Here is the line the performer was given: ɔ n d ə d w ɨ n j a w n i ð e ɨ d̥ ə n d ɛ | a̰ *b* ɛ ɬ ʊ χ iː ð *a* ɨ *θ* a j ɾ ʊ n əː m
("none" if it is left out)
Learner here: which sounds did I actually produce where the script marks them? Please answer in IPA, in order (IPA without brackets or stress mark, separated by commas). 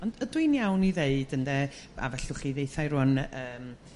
v, e, θ